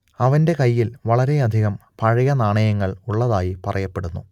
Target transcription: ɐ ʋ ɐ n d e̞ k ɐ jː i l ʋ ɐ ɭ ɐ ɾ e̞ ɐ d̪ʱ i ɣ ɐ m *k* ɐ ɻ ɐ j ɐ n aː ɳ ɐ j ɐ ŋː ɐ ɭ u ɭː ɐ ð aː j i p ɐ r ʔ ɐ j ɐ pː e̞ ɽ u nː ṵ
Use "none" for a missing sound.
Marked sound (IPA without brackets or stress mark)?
p